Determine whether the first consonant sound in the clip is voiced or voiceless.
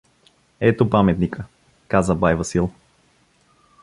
voiceless